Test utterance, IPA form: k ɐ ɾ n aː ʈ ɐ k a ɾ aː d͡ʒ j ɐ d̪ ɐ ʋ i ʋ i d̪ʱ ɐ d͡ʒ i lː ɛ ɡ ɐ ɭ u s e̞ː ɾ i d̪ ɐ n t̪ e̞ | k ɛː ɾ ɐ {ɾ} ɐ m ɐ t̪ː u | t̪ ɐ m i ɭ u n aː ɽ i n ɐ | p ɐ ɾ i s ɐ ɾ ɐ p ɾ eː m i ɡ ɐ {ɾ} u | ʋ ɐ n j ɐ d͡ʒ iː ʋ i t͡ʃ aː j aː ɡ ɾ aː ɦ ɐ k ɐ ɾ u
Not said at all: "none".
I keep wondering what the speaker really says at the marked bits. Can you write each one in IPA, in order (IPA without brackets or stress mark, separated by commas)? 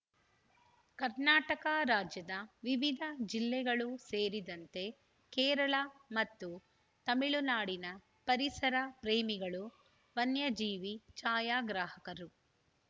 ɭ, ɭ